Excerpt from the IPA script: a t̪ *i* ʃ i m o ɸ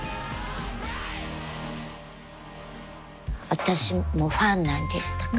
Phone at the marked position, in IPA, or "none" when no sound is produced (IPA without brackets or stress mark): a